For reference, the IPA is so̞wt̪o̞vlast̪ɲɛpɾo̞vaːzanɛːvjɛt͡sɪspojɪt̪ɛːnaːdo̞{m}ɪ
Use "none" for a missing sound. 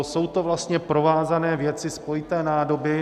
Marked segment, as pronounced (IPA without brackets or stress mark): b